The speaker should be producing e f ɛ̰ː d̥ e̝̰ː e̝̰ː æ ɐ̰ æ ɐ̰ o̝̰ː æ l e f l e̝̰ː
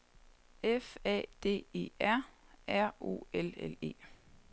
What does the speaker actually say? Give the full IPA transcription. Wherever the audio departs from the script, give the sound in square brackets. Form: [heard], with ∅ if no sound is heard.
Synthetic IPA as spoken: e f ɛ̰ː d̥ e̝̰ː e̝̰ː æ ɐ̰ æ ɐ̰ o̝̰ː [e] l e [∅] l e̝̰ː